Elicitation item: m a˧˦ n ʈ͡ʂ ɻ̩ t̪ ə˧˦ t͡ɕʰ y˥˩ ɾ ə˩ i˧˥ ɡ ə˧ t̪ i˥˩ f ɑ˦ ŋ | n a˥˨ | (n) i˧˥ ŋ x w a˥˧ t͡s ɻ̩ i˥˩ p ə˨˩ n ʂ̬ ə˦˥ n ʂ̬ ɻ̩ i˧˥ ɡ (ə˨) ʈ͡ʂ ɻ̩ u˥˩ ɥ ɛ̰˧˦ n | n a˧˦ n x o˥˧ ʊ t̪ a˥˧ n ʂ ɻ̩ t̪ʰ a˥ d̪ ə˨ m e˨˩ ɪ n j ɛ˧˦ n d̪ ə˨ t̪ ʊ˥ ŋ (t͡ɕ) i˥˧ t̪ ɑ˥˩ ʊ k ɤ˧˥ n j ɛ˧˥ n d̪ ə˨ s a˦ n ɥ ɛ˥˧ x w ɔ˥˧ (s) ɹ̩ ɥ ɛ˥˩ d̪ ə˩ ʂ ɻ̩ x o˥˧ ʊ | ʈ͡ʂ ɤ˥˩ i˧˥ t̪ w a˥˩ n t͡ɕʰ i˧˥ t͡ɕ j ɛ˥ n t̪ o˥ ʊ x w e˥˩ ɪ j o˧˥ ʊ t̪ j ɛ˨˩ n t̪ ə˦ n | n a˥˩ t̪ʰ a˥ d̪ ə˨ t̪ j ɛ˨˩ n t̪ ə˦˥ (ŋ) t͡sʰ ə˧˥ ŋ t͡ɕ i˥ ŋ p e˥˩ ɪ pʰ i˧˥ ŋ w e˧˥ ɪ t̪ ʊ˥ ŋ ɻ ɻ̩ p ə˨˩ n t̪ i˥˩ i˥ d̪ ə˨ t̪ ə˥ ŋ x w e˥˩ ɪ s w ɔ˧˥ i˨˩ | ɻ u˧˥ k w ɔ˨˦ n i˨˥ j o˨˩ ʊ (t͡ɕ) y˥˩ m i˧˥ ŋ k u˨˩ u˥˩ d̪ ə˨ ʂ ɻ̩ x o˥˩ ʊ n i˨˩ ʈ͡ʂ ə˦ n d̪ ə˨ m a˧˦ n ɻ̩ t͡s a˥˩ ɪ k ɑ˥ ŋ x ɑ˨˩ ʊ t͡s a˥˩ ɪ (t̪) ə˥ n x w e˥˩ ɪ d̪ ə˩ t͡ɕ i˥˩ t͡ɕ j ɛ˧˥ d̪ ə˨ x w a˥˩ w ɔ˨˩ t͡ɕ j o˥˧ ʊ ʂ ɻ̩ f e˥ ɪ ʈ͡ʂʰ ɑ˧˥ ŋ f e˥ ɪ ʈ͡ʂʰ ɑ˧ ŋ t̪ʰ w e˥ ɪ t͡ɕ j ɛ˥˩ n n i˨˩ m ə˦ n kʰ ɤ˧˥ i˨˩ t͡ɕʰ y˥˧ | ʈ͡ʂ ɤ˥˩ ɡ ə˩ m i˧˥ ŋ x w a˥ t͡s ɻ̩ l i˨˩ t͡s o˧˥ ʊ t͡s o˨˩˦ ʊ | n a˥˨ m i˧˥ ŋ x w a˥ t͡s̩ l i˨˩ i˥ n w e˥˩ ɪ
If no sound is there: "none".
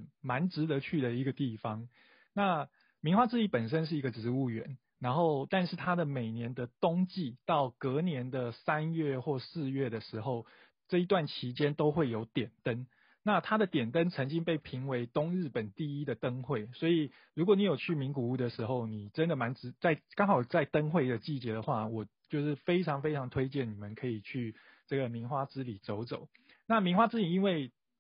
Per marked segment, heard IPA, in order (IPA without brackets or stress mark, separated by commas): m, ə˨, t͡ɕ, s, n, t͡ɕʰ, t̪